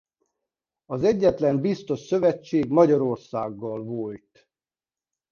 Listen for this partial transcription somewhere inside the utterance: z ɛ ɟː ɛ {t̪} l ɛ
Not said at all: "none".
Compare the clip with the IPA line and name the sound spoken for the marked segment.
t̪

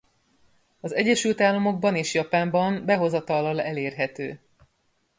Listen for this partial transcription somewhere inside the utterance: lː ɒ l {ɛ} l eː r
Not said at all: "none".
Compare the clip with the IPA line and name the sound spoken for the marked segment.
ɛ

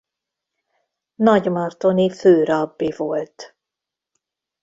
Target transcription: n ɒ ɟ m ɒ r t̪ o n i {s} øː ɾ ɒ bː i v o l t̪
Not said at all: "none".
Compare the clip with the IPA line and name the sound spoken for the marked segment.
f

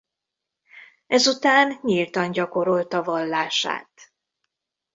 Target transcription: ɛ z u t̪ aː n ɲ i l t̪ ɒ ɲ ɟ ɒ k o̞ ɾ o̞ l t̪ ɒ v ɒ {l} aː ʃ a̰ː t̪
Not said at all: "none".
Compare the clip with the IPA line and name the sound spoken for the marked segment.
lː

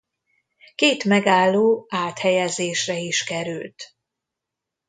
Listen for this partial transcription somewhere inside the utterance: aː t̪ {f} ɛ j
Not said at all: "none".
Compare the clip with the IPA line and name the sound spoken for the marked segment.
h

